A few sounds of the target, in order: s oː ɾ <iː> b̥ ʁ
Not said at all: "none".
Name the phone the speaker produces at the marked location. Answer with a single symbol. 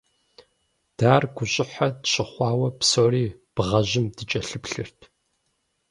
iː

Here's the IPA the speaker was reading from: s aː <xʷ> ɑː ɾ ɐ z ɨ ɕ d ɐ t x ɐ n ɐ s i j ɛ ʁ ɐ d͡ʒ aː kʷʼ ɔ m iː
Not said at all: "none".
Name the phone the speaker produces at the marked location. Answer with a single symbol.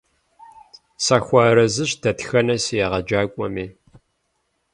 xʷ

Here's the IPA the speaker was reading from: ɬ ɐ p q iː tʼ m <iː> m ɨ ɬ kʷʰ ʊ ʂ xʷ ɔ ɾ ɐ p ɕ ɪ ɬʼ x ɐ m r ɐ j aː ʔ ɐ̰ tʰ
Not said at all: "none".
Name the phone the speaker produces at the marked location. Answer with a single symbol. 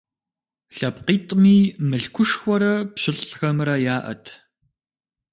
iː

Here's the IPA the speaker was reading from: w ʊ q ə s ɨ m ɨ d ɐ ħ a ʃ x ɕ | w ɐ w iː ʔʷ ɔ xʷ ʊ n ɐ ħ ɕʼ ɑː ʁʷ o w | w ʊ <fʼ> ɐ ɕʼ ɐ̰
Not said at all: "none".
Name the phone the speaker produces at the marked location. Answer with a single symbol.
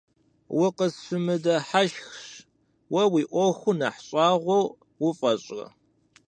fʼ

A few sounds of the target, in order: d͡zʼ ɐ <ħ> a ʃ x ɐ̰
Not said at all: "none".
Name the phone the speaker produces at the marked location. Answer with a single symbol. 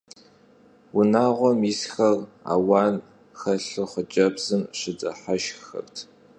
ħ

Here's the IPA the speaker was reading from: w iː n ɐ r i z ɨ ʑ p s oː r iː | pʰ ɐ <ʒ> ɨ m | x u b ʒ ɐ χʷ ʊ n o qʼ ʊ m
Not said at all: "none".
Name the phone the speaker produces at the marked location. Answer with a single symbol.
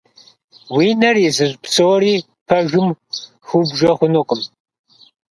ʒ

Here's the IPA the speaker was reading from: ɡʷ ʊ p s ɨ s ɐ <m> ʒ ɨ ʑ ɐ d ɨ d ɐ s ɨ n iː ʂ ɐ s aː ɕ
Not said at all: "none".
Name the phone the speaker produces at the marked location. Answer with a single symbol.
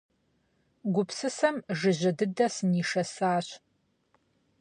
m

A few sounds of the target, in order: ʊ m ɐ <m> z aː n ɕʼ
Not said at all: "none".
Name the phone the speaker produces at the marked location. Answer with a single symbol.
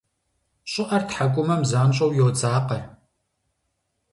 m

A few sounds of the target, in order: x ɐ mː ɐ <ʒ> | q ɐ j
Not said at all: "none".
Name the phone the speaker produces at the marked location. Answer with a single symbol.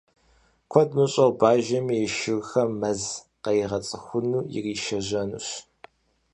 z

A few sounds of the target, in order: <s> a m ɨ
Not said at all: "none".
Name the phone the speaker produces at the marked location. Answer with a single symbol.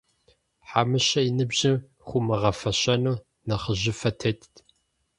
ħ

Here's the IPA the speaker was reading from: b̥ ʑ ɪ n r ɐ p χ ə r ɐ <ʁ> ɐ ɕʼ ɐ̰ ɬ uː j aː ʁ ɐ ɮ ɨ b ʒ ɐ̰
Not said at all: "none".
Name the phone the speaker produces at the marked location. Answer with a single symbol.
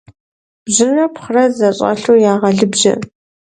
z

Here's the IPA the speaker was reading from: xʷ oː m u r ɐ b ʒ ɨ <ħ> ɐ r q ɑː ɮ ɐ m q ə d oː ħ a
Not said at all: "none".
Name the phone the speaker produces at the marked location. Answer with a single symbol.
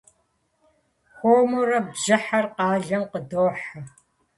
ħ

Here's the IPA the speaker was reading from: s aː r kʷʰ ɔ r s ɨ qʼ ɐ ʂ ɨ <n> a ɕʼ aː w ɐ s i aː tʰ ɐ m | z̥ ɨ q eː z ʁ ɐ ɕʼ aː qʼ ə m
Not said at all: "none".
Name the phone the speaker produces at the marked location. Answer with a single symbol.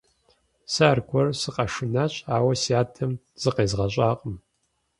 n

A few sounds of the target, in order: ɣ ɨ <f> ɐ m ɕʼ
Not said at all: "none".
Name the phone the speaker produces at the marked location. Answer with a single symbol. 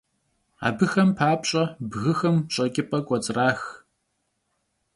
x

